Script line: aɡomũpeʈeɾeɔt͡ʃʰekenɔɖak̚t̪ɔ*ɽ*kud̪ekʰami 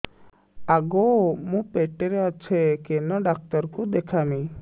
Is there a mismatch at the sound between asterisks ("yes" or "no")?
yes